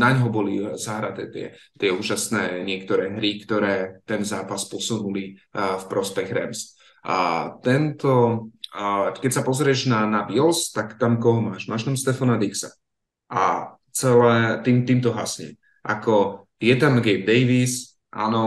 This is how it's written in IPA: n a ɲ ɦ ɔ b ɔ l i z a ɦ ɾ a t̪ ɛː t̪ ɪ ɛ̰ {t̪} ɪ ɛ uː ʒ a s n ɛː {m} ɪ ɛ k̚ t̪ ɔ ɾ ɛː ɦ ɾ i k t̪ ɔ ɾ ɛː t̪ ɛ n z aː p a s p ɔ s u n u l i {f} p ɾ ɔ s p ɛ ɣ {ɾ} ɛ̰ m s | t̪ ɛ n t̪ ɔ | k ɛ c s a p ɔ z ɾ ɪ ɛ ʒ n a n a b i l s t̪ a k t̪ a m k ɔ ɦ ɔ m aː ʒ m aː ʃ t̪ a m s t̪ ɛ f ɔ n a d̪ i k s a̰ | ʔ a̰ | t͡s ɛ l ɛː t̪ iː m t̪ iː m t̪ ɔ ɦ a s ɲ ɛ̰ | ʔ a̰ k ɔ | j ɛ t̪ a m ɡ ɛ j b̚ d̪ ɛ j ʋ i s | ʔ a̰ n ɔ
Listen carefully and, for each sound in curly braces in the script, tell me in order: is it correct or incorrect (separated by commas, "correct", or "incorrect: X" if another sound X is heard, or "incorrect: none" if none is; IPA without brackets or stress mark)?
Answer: correct, incorrect: ɲ, correct, correct